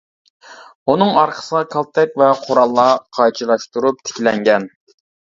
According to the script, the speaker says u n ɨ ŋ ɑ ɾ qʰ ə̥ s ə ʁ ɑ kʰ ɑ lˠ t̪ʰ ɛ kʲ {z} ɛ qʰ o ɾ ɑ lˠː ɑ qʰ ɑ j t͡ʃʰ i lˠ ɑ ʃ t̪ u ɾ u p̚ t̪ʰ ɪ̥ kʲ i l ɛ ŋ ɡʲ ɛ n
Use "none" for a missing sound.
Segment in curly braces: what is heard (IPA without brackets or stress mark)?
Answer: v